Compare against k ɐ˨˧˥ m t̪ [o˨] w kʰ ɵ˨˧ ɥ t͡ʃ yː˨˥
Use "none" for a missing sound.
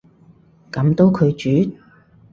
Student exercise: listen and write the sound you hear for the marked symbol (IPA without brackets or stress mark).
o˥